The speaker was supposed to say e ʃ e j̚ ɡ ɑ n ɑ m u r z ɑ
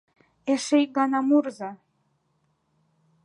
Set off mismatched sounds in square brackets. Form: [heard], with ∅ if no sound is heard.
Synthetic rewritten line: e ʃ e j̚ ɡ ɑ n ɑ m u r z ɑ